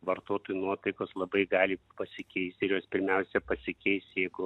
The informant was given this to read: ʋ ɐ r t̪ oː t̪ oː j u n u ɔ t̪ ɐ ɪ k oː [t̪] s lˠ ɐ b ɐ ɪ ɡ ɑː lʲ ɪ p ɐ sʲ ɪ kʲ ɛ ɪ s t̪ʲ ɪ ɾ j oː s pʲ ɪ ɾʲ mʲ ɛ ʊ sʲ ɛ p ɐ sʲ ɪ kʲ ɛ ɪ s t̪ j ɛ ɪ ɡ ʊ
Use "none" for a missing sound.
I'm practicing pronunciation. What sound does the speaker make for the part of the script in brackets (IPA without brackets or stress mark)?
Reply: none